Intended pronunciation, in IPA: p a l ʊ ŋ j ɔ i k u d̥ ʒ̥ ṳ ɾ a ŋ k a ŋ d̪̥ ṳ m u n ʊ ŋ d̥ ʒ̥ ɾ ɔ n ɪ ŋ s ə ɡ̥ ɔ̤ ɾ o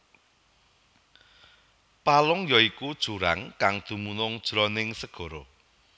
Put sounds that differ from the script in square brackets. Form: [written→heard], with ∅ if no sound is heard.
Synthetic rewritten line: p a l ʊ ŋ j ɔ i k u d̥ ʒ̥ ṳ ɾ a ŋ k a ŋ d̪̥ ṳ m u n ʊ ŋ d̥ ʒ̥ ɾ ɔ n ɪ ŋ s ə ɡ̥ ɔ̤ ɾ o

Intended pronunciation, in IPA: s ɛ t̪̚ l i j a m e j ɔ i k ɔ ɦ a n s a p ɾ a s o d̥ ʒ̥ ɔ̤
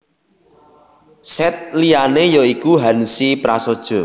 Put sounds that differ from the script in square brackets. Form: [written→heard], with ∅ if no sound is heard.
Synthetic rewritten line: s ɛ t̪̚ l i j a [m→n] e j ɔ i k [ɔ→u] ɦ a n s [a→i] p ɾ a s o d̥ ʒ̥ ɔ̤

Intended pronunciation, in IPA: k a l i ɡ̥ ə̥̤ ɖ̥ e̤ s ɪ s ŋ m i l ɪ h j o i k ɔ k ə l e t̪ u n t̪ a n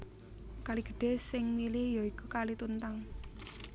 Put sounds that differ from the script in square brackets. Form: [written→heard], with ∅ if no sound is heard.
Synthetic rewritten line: k a l i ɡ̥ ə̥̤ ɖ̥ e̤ s ɪ [s→∅] ŋ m i l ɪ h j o i k [ɔ→u] k [ə→a] l [e→i] t̪ u n t̪ a [n→ŋ]

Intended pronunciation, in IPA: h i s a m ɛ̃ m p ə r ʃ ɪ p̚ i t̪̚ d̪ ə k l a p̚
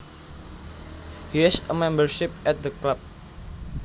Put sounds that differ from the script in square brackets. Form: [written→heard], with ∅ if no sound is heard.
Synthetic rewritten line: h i s [a→ə] m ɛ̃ m [p→b] ə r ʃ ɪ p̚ [i→ɛ] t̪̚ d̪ ə k l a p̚

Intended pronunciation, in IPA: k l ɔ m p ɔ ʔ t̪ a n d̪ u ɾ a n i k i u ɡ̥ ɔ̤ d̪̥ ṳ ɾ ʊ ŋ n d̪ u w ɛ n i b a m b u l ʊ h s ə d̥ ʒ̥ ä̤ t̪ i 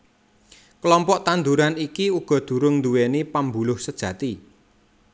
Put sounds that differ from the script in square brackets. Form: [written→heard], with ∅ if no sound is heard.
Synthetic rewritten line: k l ɔ m p ɔ ʔ t̪ a n d̪ u ɾ a n i k i u ɡ̥ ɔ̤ d̪̥ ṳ ɾ ʊ ŋ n d̪ u w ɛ n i [b→p] a m b u l ʊ h s ə d̥ ʒ̥ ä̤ t̪ i

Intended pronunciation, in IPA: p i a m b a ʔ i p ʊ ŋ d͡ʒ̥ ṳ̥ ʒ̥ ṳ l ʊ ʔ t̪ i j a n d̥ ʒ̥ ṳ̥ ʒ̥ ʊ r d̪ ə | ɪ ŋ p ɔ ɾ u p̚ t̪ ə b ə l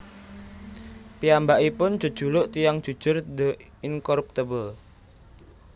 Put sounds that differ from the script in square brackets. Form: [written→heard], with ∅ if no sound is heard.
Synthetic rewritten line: p i a m b a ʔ i p ʊ [ŋ→n] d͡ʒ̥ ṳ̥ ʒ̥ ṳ l ʊ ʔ t̪ i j a [n→ŋ] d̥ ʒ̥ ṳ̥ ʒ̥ ʊ r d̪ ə | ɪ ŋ [p→k] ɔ ɾ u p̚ t̪ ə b ə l

